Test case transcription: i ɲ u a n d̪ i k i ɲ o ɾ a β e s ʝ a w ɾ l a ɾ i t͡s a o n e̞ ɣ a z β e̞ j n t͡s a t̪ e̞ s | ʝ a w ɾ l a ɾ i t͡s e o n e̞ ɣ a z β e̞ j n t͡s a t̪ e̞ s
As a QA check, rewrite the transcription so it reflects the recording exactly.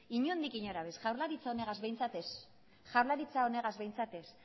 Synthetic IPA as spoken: i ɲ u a n d̪ i k i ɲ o ɾ a β e s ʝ a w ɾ l a ɾ i t͡s a o n e̞ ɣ a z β e̞ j n t͡s a t̪ e̞ s | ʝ a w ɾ l a ɾ i t͡s a o n e̞ ɣ a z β e̞ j n t͡s a t̪ e̞ s